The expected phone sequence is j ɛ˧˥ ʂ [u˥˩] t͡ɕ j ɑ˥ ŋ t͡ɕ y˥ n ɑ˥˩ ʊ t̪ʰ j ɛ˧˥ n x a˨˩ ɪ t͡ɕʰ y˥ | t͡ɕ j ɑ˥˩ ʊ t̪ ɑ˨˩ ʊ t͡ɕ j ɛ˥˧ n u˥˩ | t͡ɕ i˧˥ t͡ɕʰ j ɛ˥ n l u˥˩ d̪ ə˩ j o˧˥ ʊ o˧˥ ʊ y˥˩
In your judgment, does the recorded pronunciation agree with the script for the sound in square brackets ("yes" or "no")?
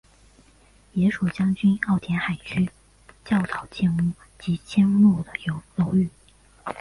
no